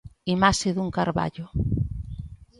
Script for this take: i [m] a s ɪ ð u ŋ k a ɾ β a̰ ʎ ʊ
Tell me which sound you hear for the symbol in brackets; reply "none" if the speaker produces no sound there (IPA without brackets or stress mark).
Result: m